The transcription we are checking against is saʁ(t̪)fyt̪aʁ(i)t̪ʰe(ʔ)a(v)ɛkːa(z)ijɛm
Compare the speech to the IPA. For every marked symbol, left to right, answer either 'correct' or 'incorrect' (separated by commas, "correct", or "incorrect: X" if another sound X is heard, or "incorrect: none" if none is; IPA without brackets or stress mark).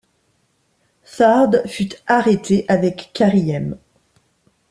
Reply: incorrect: d̪, incorrect: e, correct, correct, incorrect: ʁ